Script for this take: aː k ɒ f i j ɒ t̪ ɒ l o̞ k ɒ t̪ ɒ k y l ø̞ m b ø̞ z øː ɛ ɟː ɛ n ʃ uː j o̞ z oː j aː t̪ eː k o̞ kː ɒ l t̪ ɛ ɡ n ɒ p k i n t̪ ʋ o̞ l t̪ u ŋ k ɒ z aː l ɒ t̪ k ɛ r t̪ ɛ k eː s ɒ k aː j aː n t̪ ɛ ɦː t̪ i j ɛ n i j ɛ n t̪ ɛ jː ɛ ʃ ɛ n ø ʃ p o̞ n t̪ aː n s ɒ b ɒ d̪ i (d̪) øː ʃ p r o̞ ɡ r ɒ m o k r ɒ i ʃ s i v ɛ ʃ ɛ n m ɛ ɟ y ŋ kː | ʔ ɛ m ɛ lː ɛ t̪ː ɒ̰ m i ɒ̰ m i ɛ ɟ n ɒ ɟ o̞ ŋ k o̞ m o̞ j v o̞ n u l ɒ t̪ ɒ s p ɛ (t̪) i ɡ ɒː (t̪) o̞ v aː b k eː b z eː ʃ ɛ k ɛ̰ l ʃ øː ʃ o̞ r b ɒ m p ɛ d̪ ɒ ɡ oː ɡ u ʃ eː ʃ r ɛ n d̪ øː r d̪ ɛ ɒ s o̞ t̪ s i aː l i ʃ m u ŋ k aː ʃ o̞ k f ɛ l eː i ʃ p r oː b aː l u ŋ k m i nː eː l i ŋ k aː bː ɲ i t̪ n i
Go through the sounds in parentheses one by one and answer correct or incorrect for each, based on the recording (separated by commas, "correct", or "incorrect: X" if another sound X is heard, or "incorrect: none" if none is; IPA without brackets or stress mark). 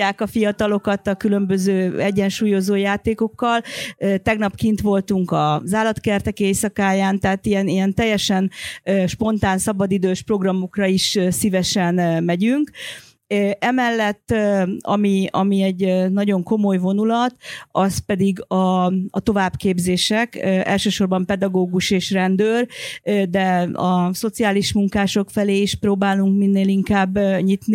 correct, incorrect: d̪, correct